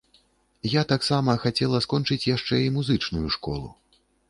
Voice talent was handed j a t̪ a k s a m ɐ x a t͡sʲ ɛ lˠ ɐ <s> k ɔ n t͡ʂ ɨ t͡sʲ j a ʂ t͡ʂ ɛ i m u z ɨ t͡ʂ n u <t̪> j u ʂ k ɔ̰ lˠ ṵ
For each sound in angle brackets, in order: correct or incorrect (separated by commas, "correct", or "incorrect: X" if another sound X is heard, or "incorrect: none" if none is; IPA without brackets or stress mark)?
correct, incorrect: none